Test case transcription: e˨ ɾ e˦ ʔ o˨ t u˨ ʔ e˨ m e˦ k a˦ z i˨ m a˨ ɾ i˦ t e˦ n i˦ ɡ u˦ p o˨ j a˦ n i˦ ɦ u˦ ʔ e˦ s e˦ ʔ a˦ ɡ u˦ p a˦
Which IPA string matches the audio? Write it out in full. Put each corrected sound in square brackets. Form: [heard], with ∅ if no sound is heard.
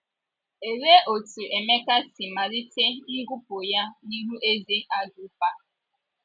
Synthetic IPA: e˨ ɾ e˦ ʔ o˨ t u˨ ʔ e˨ m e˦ k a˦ [s] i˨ m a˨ ɾ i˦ t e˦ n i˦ ɡ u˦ p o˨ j a˦ n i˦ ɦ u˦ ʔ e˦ [z] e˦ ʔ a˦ ɡ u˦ p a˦